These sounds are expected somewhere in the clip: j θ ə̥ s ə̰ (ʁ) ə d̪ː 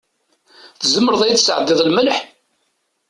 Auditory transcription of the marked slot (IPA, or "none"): ʕ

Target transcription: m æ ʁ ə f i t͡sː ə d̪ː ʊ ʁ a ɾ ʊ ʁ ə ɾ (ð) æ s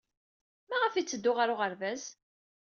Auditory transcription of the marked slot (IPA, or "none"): v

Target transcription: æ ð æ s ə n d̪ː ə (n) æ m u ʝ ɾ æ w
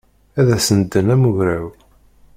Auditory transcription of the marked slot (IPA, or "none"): n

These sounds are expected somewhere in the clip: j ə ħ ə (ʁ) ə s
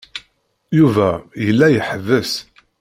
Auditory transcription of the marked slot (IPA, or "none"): v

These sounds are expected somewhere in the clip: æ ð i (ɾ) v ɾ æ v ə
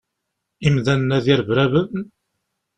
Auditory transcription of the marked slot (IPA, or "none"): ɾ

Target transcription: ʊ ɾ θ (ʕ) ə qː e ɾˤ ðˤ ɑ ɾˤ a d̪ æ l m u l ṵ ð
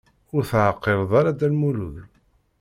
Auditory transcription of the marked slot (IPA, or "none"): ʕ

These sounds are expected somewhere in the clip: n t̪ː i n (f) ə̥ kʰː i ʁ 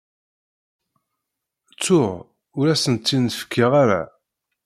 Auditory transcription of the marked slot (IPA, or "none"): f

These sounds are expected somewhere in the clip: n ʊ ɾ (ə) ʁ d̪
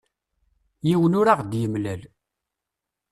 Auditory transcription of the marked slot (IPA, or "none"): a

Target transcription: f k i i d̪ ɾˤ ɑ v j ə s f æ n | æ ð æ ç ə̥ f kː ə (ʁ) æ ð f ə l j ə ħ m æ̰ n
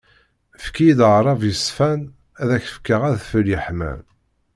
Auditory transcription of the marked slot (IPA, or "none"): ʁ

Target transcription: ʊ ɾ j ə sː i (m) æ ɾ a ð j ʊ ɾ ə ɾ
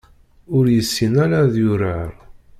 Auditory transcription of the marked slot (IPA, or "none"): n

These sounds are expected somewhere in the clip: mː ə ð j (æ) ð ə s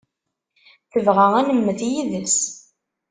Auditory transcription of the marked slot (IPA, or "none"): i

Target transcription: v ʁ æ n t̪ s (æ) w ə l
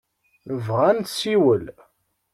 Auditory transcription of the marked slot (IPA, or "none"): i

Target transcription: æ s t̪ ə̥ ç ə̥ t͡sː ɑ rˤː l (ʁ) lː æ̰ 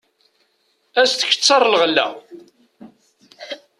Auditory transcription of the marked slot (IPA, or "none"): ʁ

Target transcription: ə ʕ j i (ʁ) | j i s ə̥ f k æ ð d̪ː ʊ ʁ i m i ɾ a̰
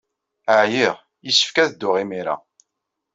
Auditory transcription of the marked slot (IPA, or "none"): ʁ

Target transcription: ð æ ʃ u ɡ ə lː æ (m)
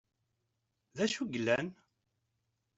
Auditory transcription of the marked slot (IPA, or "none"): n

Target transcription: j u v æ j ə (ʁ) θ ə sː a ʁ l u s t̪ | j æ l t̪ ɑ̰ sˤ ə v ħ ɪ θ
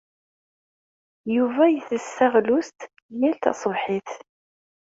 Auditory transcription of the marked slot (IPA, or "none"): none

